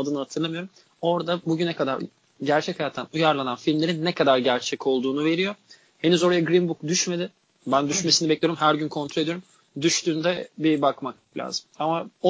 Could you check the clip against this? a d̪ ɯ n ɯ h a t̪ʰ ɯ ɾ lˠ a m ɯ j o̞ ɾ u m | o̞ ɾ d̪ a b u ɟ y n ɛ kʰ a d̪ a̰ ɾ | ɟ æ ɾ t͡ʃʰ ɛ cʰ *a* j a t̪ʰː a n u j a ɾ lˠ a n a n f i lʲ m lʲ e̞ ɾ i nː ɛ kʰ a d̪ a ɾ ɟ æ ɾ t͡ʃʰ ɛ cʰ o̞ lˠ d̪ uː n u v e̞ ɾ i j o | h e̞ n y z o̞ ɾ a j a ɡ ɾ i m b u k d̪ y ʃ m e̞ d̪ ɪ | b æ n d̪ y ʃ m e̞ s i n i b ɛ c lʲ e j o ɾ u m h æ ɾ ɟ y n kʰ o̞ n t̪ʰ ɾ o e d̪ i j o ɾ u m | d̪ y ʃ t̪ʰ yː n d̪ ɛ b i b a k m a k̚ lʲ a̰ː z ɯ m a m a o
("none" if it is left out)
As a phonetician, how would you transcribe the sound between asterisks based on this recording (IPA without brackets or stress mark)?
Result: a